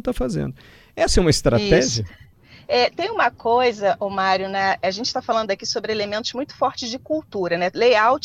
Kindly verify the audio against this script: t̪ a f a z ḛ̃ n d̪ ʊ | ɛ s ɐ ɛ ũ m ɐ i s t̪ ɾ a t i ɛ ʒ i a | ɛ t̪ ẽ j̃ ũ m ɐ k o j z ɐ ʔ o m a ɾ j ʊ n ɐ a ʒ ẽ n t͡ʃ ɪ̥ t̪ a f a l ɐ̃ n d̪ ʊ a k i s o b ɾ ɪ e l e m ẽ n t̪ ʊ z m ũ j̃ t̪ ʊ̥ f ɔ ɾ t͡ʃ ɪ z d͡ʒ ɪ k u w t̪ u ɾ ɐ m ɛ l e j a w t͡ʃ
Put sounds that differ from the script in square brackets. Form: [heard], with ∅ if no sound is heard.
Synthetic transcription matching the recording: t̪ a f a z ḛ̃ n d̪ ʊ | ɛ s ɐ ɛ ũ m ɐ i s t̪ ɾ a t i ɛ ʒ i [ɐ] | ɛ t̪ ẽ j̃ ũ m ɐ k o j z ɐ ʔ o m a ɾ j ʊ n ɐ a ʒ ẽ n t͡ʃ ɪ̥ t̪ a f a l ɐ̃ n d̪ ʊ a k i s o b ɾ ɪ e l e m ẽ n t̪ ʊ z m ũ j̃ t̪ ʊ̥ f ɔ ɾ t͡ʃ ɪ z d͡ʒ ɪ k u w t̪ u ɾ ɐ [n] ɛ l e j a w t͡ʃ